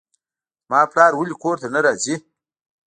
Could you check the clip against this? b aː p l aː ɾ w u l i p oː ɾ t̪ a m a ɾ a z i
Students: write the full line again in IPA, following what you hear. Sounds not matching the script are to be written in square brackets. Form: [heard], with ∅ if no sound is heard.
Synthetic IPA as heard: [m] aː p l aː ɾ w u l i [k] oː ɾ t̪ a [n] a ɾ a z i

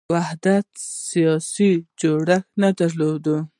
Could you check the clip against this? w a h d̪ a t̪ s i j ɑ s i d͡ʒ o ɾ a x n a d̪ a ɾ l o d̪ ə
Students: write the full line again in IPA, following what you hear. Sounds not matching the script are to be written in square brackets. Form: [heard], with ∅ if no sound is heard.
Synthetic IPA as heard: w a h d̪ a t̪ s i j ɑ s i d͡ʒ o [ɽ] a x n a d̪ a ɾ l o d̪ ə

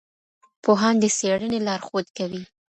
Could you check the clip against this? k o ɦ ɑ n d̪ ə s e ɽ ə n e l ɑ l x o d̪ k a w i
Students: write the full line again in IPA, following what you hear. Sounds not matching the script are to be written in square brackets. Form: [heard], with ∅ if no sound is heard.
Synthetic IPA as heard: [p] o ɦ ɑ n d̪ ə s e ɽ ə n e l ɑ [ɾ] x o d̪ k a w i

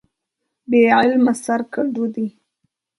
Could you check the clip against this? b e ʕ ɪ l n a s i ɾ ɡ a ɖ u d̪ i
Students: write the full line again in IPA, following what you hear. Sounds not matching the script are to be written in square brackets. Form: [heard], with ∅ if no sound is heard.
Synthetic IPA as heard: b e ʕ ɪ l [m] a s [a] ɾ [k] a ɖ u d̪ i

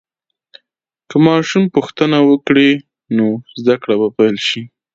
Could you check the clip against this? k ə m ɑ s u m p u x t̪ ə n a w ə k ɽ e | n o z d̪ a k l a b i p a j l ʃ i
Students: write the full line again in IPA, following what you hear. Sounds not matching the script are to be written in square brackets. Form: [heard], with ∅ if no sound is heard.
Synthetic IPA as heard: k ə m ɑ [ʃ] u m p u x t̪ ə n a w ə k ɽ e | n o z d̪ a k [ɽ] a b [a] p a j l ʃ i

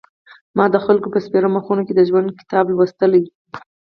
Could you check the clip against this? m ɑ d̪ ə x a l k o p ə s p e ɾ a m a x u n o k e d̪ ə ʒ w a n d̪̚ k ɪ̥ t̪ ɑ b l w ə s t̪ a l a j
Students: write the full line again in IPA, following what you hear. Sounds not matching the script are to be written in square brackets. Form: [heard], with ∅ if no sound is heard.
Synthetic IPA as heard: m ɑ d̪ ə x a l k o p ə s p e ɾ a m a x u n o k e d̪ ə ʒ w a n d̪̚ k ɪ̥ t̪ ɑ b l w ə s t̪ [ə] l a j

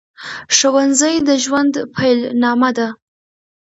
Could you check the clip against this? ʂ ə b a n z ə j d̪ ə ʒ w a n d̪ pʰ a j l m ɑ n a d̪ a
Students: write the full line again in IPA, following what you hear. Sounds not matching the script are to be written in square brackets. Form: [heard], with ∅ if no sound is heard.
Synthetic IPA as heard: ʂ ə [w] a n z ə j d̪ ə ʒ w a n d̪ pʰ a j l [n] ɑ [m] a d̪ a

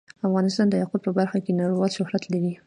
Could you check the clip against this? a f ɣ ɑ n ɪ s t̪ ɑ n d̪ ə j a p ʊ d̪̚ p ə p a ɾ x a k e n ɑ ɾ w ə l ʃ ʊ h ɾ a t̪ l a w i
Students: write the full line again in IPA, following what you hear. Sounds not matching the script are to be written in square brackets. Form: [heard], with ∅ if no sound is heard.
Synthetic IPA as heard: a f ɣ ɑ n ɪ s t̪ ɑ n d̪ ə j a [q] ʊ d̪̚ p ə [b] a ɾ x a k e n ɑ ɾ w [ɑ] l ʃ ʊ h ɾ a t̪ l a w i

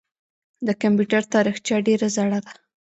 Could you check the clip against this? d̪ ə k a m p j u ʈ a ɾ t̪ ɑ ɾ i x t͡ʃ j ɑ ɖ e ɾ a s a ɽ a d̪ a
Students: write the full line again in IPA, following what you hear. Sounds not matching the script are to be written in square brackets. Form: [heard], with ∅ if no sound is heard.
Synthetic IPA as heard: d̪ ə k a m p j u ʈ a ɾ t̪ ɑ ɾ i x t͡ʃ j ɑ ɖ e ɾ a [z] a ɽ a d̪ a

